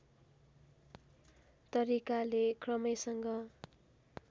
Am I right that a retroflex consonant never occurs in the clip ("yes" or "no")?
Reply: yes